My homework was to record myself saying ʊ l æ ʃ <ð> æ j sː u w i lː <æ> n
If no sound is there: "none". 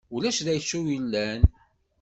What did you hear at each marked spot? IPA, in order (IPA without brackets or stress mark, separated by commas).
ð, æ